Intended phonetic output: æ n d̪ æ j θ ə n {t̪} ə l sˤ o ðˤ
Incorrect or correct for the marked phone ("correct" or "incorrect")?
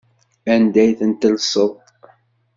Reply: correct